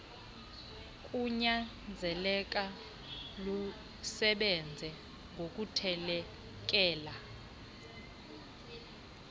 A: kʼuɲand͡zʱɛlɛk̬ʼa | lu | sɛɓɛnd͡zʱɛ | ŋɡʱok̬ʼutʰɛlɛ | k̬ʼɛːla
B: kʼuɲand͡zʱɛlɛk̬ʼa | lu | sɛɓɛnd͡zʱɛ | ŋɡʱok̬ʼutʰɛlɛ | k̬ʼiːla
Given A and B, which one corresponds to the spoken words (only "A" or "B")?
A